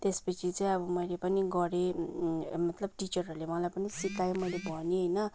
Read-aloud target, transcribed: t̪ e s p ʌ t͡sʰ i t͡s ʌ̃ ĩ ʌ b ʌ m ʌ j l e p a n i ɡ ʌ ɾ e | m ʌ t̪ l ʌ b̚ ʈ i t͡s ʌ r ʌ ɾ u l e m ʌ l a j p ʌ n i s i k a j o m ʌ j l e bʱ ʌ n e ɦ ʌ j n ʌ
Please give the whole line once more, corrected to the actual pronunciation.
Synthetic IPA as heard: t̪ e s p ʌ t͡sʰ i t͡s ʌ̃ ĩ ʌ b ʌ m ʌ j l e p ʌ n i ɡ ʌ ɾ e | m ʌ t̪ l ʌ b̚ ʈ i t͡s ʌ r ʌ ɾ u l e m ʌ l a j p ʌ n i s i k a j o m ʌ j l e bʱ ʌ n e ɦ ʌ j n ʌ